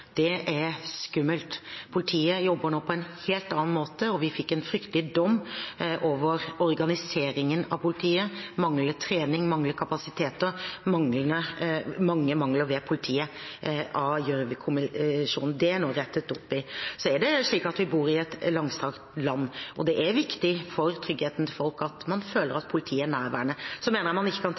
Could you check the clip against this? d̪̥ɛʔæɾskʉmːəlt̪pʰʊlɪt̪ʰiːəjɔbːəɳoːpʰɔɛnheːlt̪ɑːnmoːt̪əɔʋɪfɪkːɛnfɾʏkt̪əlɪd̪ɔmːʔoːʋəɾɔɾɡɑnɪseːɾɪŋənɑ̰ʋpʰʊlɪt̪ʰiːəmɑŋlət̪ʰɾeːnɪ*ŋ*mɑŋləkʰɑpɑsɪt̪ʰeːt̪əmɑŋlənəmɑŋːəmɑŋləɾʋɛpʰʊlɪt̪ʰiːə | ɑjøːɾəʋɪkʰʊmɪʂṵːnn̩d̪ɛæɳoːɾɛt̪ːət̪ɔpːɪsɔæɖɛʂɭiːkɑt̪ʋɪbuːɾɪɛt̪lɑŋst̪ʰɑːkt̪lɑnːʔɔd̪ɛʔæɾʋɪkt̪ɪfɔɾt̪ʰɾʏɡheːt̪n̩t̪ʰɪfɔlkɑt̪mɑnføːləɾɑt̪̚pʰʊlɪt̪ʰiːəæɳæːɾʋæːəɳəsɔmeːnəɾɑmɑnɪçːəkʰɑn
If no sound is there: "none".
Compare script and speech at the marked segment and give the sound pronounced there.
ŋ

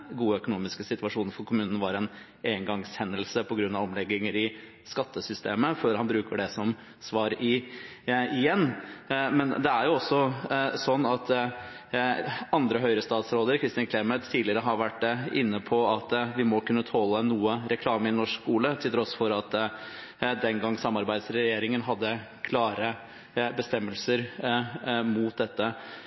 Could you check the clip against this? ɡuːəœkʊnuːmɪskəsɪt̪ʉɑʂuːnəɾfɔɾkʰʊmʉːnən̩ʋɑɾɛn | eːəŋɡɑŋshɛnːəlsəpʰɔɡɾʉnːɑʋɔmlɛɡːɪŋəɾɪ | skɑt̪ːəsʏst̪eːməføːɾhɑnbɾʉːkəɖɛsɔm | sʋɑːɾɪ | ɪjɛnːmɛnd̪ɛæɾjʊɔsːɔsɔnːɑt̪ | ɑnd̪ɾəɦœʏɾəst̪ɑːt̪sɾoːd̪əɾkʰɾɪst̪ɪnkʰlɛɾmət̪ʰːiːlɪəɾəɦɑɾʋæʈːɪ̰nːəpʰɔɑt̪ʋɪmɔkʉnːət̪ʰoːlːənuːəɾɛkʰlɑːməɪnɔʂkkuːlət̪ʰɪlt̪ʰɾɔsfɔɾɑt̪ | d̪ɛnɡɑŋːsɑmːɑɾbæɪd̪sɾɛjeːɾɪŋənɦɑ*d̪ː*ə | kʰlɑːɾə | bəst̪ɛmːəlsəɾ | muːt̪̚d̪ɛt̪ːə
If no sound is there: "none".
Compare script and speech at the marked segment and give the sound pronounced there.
d̪ː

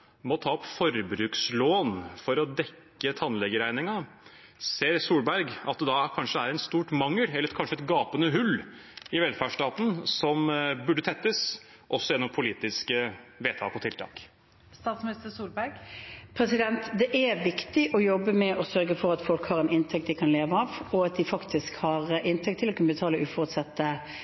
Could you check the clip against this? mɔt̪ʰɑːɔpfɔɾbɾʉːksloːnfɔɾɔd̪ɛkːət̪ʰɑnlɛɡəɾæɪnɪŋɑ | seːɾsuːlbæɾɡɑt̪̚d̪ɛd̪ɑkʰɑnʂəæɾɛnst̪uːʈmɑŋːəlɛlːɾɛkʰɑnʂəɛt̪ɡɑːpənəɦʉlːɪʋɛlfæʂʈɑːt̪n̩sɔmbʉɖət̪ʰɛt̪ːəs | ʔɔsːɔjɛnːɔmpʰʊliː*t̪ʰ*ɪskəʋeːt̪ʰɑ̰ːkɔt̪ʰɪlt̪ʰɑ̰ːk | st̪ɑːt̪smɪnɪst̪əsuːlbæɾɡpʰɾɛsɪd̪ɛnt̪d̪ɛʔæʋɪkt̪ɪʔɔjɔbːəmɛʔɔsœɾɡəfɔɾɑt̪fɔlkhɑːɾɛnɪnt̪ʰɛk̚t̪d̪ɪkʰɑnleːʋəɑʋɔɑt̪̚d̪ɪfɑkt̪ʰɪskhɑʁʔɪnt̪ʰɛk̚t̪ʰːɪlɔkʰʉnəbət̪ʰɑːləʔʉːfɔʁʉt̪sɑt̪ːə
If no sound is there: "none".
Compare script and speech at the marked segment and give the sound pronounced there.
t̪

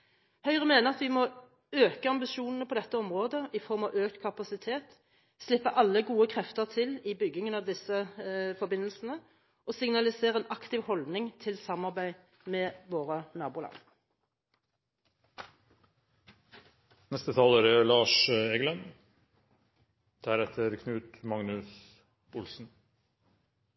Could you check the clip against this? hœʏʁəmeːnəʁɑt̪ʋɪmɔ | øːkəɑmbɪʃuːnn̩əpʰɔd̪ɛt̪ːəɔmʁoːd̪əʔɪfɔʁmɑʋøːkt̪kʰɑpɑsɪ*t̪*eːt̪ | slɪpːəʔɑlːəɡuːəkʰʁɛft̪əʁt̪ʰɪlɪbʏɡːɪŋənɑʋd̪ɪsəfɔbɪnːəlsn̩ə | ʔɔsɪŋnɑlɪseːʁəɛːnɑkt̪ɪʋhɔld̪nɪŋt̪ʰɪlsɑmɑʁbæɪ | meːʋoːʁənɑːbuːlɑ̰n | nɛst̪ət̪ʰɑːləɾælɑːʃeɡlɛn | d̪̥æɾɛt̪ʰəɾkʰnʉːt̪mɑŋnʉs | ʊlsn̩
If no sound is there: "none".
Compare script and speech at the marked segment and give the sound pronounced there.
t̪ʰ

